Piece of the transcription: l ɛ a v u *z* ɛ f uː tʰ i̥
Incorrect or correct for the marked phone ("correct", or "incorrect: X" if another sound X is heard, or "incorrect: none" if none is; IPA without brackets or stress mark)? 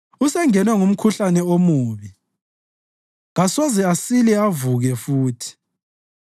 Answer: incorrect: ɣ